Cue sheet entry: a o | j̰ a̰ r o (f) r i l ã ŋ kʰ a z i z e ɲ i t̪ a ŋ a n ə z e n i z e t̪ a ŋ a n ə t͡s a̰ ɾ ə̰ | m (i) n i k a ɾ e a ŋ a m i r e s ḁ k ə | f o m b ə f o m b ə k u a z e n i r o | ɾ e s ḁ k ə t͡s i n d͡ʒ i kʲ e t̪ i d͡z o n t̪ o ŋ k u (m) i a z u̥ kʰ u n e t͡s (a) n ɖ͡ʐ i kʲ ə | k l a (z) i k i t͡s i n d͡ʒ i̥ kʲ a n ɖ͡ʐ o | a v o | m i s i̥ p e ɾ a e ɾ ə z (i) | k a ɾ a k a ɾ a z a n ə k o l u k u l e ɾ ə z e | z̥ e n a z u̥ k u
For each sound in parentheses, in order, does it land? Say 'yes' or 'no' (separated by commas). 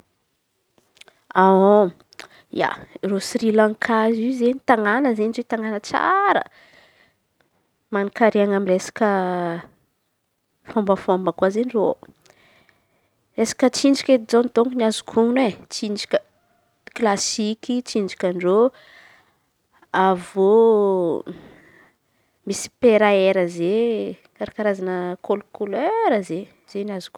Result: no, no, no, no, no, no